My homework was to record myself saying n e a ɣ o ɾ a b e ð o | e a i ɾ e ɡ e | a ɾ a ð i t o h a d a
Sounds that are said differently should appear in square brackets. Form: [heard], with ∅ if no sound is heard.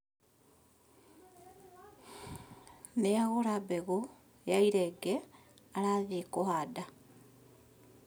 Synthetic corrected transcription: n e a ɣ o ɾ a b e [ɣ] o | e a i ɾ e ɡ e | a ɾ a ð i [k] o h a d a